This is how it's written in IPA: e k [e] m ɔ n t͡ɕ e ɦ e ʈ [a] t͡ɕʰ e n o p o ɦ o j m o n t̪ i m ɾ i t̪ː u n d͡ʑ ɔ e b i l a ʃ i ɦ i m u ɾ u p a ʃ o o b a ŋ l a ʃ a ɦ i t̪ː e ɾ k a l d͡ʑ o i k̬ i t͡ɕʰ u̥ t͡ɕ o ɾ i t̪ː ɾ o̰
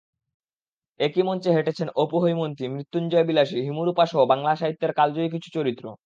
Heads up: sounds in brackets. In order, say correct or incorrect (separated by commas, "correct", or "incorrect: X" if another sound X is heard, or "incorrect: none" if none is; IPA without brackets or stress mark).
incorrect: i, incorrect: e